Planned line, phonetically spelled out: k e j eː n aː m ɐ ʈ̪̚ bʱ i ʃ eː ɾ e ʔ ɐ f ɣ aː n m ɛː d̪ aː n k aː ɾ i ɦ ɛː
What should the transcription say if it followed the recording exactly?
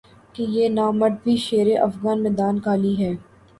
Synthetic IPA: k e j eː n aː m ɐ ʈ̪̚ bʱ i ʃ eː ɾ e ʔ ɐ f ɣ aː n m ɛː d̪ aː n k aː l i ɦ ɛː